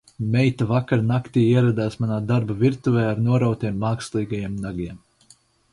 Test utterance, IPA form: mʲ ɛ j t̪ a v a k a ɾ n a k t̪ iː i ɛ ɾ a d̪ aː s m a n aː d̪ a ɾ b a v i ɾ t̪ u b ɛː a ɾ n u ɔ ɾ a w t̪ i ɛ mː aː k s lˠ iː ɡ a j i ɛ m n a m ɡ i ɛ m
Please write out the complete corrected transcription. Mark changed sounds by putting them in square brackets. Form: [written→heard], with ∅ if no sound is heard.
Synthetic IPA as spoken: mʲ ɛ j t̪ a v a k a ɾ n a k t̪ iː i ɛ ɾ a d̪ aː s m a n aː d̪ a ɾ b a v i ɾ t̪ u [b→v] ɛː a ɾ n u ɔ ɾ a w t̪ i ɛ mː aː k s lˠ iː ɡ a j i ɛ m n a [m→∅] ɡ i ɛ m